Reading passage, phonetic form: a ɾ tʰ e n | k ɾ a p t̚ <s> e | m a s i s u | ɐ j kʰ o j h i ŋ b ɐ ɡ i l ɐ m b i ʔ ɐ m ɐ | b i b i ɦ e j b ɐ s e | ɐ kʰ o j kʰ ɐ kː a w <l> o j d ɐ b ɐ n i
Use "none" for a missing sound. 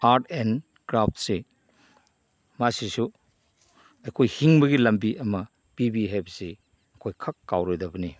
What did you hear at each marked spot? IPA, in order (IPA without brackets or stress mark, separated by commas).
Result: s, ɾ